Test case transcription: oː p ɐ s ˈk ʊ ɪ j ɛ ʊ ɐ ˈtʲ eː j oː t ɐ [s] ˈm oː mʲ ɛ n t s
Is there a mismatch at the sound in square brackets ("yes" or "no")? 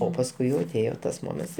no